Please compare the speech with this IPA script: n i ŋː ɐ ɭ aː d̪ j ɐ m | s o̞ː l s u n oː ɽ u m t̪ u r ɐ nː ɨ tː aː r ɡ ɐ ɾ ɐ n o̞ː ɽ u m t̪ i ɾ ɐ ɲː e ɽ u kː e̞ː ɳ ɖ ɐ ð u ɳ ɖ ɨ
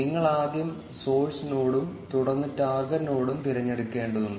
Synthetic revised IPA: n i ŋː ɐ ɭ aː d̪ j ɐ m | s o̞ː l s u n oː ɽ u m t̪ u ɽ ɐ nː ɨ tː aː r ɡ ɐ ɾ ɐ n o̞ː ɽ u m t̪ i ɾ ɐ ɲː e ɽ u kː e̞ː ɳ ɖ ɐ ð u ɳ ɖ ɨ